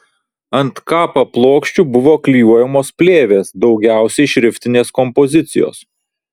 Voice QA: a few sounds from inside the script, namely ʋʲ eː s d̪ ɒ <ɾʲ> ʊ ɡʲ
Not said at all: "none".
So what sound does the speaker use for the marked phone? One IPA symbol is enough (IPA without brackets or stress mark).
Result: none